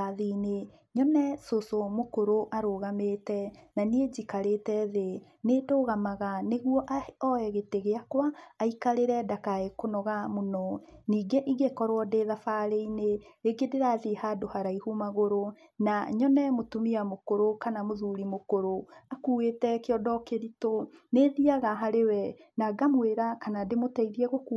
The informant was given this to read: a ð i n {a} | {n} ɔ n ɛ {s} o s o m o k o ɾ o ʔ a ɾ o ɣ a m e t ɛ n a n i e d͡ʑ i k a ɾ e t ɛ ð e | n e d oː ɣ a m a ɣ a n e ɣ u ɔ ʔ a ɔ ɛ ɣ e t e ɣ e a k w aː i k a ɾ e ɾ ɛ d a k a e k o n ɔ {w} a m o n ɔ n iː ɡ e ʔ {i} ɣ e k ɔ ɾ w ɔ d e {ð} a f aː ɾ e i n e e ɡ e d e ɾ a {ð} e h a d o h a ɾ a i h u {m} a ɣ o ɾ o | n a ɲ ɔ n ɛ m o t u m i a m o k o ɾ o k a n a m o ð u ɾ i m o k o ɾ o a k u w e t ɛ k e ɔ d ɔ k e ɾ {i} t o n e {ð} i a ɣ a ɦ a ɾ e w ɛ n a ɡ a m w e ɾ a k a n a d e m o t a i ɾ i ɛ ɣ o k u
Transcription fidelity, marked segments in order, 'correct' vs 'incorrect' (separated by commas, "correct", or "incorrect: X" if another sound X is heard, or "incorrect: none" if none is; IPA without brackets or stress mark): incorrect: e, incorrect: ɲ, correct, incorrect: ɣ, correct, correct, correct, correct, correct, correct